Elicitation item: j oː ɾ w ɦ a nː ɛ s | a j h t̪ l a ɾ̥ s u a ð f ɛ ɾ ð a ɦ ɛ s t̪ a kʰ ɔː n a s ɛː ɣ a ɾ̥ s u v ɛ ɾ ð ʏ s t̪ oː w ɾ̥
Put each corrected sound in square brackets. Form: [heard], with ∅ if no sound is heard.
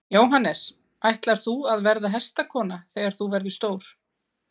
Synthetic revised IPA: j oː [∅] w ɦ a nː ɛ s | a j h t̪ l a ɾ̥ [θ] u a ð [v] ɛ ɾ ð a ɦ ɛ s t̪ a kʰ ɔː n a [θ] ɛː ɣ a ɾ̥ [θ] u v ɛ ɾ ð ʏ s t̪ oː w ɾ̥